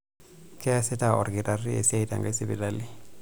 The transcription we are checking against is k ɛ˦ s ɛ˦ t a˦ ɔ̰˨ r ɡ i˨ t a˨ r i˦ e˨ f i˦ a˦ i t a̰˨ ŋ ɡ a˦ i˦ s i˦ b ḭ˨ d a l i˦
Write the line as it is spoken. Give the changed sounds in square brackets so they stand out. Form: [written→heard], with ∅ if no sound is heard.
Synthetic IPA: k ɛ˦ s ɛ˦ t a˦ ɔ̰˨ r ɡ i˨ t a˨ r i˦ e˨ [f→s] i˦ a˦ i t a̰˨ ŋ ɡ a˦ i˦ s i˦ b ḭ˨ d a l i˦